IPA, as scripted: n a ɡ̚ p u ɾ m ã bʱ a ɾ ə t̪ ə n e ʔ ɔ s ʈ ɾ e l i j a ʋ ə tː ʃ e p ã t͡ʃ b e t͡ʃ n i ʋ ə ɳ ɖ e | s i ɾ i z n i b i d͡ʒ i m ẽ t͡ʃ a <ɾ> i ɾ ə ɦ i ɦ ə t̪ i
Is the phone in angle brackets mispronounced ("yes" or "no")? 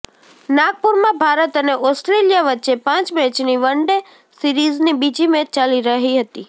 yes